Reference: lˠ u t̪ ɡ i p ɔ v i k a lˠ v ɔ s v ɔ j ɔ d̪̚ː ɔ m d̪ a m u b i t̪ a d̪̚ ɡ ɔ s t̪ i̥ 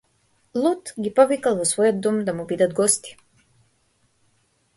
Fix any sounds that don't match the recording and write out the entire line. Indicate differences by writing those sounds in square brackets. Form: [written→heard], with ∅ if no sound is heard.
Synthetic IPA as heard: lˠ u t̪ ɡ i p ɔ v i k a lˠ v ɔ s v ɔ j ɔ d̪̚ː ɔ m d̪ a m u b i [t̪→d̪] a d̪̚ ɡ ɔ s t̪ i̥